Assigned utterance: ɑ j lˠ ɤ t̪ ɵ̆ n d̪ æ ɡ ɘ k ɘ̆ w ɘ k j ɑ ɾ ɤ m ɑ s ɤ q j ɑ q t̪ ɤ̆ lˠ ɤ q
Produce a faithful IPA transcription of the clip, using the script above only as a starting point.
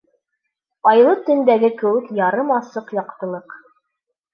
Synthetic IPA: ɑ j lˠ ɤ t̪ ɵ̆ n d̪ æ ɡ ɘ k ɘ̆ w ɘ k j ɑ ɾ ɤ m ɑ s ɤ q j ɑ q t̪ ɤ̆ lˠ ɤ q